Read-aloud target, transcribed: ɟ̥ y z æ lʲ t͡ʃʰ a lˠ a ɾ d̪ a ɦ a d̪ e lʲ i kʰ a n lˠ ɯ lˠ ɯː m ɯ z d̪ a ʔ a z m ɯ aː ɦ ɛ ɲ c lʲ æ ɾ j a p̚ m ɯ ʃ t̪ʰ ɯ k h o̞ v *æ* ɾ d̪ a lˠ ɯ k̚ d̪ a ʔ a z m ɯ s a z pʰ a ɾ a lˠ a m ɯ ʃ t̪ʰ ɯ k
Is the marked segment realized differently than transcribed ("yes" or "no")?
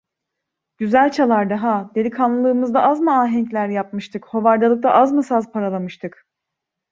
yes